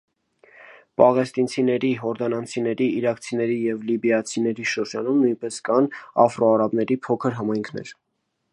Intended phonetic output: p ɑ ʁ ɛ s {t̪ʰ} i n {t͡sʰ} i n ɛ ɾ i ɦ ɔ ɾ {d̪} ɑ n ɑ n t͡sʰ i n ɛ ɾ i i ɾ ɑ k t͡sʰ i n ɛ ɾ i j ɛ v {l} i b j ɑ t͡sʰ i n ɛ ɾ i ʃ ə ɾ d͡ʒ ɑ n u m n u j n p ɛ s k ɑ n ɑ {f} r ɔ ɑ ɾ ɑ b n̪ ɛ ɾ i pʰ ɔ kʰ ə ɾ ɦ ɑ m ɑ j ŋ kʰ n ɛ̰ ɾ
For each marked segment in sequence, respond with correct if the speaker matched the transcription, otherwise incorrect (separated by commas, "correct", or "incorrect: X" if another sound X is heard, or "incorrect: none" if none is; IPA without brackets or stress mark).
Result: incorrect: t̪, correct, correct, correct, correct